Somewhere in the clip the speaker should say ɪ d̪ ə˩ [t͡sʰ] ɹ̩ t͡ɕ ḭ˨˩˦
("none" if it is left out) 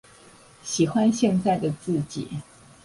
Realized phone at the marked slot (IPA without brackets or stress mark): t͡s